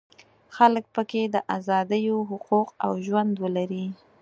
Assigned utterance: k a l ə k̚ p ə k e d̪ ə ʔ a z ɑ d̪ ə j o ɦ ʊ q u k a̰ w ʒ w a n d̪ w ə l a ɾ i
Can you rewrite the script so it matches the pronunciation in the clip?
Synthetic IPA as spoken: x a l ə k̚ p ə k e d̪ ə ʔ a z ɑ d̪ ə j o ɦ ʊ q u q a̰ w ʒ w a n d̪ w ə l a ɾ i

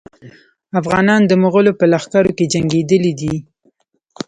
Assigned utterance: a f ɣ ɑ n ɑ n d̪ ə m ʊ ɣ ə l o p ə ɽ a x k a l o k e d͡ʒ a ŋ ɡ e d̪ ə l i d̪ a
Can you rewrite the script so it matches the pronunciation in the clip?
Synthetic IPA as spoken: a f ɣ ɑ n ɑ n d̪ ə m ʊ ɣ ə l o p ə l a x k a ɾ o k e d͡ʒ a ŋ ɡ e d̪ ə l i d̪ i

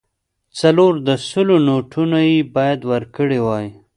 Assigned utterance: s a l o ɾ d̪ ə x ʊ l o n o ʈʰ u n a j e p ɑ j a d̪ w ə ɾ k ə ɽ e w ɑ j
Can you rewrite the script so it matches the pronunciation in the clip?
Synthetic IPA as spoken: t͡s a l o ɾ d̪ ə s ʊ l o n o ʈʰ u n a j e b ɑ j a d̪ w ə ɾ k ə ɽ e w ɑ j

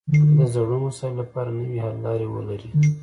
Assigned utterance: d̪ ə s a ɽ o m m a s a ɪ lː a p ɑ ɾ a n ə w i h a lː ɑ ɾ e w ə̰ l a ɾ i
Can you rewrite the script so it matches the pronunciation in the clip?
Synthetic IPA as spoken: d̪ ə z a ɽ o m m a s ɑ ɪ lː a p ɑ ɾ a n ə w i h a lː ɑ ɾ e w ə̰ l a ɾ i

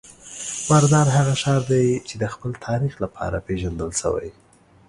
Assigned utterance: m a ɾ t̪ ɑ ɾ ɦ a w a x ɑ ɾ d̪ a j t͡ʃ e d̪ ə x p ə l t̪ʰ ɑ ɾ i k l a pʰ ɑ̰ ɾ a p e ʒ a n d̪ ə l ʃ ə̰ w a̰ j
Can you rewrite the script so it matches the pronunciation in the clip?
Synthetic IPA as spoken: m a ɾ d̪ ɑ ɾ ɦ a ɣ a ʃ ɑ ɾ d̪ a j t͡ʃ e d̪ ə x p ə l t̪ʰ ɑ ɾ i x l a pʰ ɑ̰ ɾ a p e ʒ a n d̪ ə l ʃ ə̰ w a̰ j

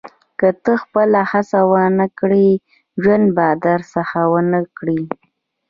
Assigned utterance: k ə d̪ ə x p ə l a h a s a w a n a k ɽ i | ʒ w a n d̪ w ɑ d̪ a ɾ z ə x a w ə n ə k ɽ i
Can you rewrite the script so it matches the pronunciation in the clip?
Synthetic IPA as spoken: k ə t̪ ə x p ə l a h a s a w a n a k ɽ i | ʒ w a n d̪ b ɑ d̪ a ɾ s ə x a w ə n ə k ɽ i

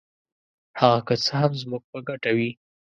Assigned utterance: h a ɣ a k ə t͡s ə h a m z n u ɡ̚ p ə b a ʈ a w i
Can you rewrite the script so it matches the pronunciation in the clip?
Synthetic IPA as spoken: h a ɣ a k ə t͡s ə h a m z m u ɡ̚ p ə ɡ a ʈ a w i

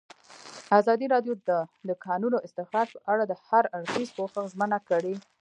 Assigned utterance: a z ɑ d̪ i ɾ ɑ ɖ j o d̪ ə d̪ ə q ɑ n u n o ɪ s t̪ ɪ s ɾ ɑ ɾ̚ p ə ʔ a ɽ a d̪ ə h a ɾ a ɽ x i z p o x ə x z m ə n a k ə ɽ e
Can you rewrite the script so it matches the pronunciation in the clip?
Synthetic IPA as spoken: a z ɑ d̪ i ɾ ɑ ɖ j o d̪ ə d̪ ə k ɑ n u n o ɪ s t̪ ɪ x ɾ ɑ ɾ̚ p ə ʔ a ɽ a d̪ ə h a ɾ a ɽ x i z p o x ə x z m ə n a k ə ɽ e

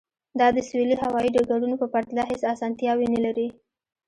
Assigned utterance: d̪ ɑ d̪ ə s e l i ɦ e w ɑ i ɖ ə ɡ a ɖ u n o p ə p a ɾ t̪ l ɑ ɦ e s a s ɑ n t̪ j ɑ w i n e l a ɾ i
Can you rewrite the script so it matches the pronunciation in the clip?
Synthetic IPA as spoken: d̪ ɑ d̪ ə s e l i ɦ a w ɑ i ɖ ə ɡ a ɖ u n o p ə p a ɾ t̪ l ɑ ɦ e s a s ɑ n t̪ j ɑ w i n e l a ɾ i

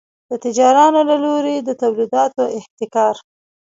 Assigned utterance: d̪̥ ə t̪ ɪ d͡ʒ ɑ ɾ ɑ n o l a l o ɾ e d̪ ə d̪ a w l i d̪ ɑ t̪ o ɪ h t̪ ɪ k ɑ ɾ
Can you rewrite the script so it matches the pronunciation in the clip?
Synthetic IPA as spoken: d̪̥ ə t̪ ɪ d͡ʒ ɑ ɾ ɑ n o l a l o ɾ e d̪ ə t̪ a w l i d̪ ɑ t̪ o ɪ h t̪ ɪ k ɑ ɾ

